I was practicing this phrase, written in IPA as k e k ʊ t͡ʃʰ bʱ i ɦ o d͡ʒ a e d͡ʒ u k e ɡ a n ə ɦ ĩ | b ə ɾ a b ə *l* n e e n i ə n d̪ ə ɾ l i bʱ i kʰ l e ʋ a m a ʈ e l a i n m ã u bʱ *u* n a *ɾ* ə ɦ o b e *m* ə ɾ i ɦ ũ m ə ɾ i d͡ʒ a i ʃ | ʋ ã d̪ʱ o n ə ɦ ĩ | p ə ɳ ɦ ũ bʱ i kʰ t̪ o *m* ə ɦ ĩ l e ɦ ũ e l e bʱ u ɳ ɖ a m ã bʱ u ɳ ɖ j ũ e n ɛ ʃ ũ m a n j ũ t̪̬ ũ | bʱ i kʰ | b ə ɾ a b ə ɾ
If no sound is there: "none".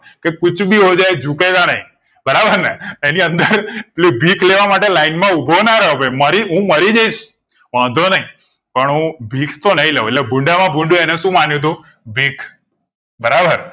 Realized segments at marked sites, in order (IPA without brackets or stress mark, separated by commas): ɾ, o, ɾ, m, n